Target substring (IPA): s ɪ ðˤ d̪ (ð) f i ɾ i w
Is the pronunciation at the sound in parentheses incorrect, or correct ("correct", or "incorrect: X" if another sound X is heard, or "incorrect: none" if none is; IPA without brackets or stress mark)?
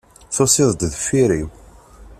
correct